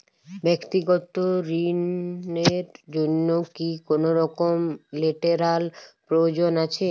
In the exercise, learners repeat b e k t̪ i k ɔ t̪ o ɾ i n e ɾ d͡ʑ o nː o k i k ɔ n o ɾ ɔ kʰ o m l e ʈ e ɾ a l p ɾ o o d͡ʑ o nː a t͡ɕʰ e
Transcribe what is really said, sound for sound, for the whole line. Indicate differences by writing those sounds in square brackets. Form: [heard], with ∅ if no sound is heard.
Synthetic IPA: b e k t̪ i [ɡ] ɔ t̪ o ɾ i n e ɾ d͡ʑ o nː o k i k [o] n o ɾ ɔ [k] o m l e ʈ e ɾ a l p ɾ o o d͡ʑ o [n] a t͡ɕʰ e